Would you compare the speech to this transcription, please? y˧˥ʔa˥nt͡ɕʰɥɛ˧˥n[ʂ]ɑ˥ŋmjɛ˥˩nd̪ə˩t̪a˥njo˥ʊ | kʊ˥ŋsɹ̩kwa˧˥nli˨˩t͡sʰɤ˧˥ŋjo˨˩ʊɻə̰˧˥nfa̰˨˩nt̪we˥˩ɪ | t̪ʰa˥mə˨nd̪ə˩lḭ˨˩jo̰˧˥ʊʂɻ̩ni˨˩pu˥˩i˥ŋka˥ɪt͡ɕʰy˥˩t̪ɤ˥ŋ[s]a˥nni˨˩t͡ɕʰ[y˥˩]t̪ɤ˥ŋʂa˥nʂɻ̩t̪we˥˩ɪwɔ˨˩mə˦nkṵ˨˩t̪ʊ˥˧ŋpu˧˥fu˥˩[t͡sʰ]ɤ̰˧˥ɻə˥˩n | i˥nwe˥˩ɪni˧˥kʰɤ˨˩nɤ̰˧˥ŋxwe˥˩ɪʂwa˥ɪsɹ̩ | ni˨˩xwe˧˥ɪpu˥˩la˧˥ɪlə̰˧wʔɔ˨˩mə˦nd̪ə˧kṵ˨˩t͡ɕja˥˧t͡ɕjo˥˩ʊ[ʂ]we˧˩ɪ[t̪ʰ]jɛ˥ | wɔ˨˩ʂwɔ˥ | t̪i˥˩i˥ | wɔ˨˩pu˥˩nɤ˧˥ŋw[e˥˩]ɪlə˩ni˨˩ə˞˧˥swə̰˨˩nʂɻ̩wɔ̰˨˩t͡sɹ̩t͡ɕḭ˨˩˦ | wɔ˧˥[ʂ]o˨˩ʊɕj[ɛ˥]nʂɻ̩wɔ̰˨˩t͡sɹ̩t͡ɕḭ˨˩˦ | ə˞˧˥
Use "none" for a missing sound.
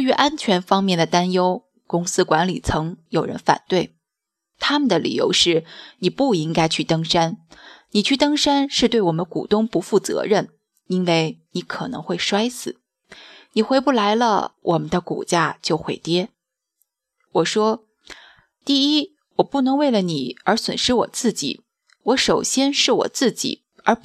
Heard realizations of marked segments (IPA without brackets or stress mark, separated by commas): f, ʂ, y˥˩, t͡s, x, t̪, e˥˩, ʂ, ɛ˥